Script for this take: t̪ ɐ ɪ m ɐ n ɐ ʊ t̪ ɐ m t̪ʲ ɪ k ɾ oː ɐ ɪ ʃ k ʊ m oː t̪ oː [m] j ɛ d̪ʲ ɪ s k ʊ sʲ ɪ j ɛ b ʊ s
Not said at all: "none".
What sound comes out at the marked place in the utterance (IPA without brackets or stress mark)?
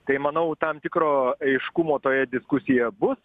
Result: none